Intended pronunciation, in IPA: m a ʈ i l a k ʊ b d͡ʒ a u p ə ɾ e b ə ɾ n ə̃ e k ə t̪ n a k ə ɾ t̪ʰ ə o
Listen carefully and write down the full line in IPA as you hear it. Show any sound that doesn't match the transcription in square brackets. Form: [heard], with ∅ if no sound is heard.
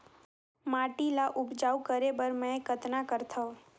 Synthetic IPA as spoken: m a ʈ i l a [ʔ] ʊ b d͡ʒ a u [k] ə ɾ e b ə ɾ [m] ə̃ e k ə t̪ n a k ə ɾ t̪ʰ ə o